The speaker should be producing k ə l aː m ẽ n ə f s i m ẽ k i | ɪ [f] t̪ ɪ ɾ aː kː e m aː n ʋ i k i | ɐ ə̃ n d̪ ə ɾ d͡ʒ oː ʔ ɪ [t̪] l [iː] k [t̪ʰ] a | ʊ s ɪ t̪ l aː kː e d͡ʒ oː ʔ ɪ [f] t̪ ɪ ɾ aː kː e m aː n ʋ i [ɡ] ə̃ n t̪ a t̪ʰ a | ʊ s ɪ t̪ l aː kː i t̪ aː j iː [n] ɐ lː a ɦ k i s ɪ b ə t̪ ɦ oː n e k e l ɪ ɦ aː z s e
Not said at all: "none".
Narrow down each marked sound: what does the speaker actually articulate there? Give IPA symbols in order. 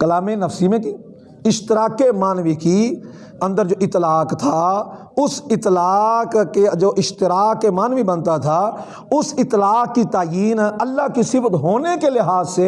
ʃ, t̪, aː, t̪ʰ, ʃ, b, n

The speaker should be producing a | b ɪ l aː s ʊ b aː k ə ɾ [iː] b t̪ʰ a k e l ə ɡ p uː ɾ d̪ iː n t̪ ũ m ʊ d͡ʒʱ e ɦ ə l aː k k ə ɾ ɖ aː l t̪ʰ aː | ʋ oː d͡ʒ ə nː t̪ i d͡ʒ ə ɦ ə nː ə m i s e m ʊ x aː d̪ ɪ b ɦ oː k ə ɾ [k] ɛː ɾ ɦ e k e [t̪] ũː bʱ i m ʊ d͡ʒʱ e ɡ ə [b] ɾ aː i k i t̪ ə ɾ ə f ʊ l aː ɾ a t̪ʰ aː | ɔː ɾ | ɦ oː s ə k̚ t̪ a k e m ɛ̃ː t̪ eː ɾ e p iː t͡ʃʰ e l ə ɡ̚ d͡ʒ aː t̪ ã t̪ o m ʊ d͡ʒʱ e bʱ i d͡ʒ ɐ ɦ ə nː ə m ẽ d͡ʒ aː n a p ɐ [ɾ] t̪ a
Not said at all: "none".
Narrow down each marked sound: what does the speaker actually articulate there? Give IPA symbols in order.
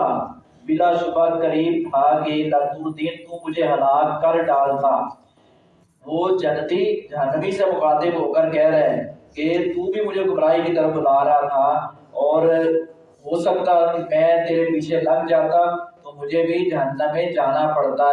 iː, k, t̪, m, ɽ

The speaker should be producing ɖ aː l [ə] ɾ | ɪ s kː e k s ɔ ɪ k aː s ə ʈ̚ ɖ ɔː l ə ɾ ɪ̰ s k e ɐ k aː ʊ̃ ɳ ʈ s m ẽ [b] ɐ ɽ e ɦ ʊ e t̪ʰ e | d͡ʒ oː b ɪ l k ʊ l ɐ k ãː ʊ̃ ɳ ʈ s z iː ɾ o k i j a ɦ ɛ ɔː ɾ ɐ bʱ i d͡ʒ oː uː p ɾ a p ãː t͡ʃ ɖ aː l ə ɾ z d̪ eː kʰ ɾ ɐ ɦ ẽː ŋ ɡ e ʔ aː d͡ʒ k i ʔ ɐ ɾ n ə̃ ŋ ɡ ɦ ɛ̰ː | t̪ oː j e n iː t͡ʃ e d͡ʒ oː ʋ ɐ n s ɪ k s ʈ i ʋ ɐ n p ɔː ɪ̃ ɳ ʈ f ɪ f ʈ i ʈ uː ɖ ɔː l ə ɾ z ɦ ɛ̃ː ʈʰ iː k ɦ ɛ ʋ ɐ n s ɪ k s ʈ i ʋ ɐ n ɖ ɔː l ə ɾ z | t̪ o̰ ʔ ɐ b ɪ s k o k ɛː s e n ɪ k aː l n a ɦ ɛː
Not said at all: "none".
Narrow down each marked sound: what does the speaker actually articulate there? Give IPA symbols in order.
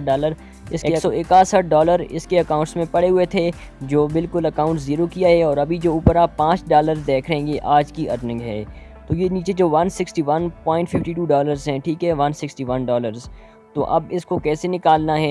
ə, p

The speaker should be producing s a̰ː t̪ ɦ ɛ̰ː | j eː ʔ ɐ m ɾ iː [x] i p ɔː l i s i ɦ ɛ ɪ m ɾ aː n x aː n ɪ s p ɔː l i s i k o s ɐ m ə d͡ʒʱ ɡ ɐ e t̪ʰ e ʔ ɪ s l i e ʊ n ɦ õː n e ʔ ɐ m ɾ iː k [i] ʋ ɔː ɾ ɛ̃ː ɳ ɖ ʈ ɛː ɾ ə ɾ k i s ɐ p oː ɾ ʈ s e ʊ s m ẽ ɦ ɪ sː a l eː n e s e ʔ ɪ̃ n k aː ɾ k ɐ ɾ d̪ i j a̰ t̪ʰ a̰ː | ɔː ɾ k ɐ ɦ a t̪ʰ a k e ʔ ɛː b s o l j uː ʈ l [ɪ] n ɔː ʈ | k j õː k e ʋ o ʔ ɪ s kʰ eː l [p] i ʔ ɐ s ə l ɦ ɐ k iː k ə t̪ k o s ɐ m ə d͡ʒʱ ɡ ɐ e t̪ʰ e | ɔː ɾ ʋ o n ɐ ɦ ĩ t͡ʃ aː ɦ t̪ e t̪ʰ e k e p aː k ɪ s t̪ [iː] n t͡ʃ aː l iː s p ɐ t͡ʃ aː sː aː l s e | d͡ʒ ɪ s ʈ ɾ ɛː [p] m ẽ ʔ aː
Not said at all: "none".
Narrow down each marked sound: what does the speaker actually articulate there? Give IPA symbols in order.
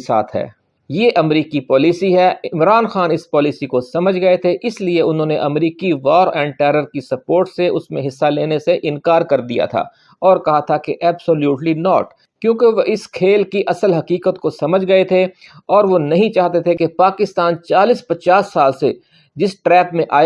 k, i, i, k, aː, p

